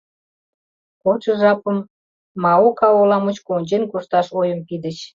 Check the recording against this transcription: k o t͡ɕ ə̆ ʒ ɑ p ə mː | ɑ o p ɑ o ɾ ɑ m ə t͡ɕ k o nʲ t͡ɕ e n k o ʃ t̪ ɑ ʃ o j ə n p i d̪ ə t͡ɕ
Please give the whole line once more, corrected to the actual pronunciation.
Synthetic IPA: k o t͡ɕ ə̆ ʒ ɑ p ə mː | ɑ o k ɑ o l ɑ m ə t͡ɕ k o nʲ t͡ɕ e n k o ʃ t̪ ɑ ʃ o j ə m p i d̪ ə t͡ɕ